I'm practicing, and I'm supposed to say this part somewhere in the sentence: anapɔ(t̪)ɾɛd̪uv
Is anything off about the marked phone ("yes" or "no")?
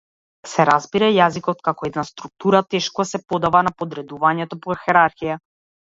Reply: yes